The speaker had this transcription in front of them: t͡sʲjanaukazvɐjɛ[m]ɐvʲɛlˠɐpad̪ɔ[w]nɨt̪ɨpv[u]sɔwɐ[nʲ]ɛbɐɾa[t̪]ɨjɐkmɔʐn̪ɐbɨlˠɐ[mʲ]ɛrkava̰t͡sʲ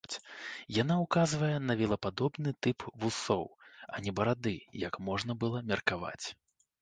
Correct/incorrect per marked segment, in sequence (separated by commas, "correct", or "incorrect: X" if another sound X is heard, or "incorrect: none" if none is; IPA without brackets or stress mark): incorrect: n, incorrect: b, correct, correct, incorrect: d̪, correct